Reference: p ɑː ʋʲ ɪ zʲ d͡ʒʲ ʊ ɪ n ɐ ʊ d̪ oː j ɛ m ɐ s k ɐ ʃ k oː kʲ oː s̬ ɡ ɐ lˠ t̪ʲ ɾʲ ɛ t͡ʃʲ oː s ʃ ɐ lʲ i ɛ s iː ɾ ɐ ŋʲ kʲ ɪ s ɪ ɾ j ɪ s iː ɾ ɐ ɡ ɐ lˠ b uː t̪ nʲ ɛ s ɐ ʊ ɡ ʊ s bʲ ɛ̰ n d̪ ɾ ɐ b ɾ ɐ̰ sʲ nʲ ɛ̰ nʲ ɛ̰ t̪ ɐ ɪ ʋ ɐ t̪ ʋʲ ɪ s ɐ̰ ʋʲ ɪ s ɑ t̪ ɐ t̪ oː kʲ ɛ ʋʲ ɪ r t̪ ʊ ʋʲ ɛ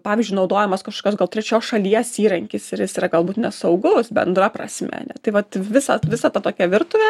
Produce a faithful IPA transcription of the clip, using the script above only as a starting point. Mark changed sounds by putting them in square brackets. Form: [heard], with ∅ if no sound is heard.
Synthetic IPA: p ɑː ʋʲ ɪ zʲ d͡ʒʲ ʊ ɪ n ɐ ʊ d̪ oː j ɛ m ɐ s k ɐ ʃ k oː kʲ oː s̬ ɡ ɐ lˠ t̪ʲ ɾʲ ɛ t͡ʃʲ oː s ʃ ɐ lʲ i ɛ s iː ɾ ɐ ŋʲ kʲ ɪ s ɪ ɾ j ɪ s iː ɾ ɐ ɡ ɐ lˠ b uː t̪ nʲ ɛ s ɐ ʊ ɡ ʊ s bʲ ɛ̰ n d̪ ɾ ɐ [p] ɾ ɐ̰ sʲ [mʲ] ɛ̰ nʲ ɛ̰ t̪ ɐ ɪ ʋ ɐ t̪ ʋʲ ɪ s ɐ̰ ʋʲ ɪ s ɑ t̪ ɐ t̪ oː kʲ ɛ ʋʲ ɪ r t̪ ʊ ʋʲ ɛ